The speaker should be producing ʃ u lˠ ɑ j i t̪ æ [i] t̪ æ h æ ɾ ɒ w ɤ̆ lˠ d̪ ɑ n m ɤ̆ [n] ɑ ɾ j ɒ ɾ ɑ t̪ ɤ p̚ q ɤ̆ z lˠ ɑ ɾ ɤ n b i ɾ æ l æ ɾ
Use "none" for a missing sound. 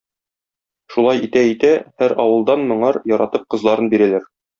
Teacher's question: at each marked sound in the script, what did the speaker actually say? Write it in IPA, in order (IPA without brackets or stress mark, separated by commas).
i, ɴ